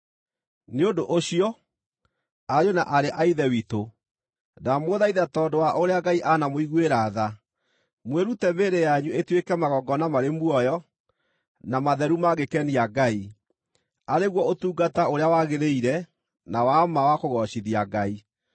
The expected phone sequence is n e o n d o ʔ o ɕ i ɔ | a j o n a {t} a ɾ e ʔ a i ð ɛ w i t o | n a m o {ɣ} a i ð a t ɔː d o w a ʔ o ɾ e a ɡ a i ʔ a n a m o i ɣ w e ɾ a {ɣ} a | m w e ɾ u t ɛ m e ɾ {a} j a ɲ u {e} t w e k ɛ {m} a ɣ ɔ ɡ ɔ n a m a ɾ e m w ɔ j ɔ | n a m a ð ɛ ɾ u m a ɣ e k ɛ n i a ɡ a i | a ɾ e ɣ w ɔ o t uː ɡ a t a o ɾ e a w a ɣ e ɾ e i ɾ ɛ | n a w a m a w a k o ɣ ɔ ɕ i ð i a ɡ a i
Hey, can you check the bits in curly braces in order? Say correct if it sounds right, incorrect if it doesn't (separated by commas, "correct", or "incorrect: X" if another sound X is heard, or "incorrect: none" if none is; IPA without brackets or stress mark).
incorrect: ʔ, incorrect: ð, incorrect: ð, incorrect: e, correct, correct